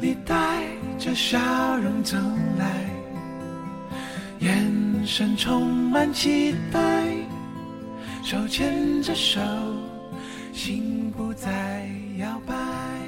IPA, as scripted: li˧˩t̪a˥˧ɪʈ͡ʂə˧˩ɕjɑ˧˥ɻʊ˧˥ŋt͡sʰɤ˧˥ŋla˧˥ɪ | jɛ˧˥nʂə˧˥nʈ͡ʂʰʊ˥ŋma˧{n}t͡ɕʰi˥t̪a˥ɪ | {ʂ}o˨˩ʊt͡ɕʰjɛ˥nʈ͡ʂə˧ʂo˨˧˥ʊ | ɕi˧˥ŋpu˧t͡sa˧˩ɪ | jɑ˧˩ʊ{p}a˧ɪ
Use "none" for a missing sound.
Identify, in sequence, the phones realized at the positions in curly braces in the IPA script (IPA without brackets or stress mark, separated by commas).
n, ʂ, p